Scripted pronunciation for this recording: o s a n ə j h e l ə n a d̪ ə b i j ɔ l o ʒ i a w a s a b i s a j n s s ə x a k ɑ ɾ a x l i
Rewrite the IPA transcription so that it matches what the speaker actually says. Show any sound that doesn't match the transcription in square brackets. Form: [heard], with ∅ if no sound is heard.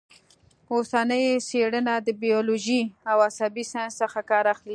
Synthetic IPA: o s a n ə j [s] e [ɽ] ə n a d̪ ə b i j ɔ l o ʒ i a w a s a b i s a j n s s ə x a k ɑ ɾ a x l i